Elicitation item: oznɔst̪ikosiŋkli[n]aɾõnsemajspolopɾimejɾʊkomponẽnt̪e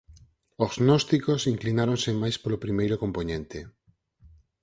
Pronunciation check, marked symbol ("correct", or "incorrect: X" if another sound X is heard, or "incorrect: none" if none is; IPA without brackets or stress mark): correct